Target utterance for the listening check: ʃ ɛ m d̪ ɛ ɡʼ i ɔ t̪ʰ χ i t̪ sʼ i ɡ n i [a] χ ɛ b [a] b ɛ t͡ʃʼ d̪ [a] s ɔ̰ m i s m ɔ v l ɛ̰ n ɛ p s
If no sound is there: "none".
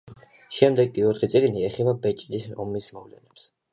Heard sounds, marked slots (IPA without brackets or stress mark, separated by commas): ɛ, a, i